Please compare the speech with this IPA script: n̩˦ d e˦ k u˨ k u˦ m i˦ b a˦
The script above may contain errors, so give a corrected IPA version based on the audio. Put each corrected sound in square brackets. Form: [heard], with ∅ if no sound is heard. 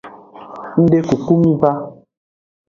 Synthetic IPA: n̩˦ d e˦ k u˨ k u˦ m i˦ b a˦